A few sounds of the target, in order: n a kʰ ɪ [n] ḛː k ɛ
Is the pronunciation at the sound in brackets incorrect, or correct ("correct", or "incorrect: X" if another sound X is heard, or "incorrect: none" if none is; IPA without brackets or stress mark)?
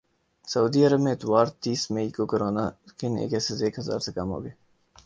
correct